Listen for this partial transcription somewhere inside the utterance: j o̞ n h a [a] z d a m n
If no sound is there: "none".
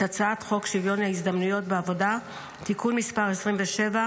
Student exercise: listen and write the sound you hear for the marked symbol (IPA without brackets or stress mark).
i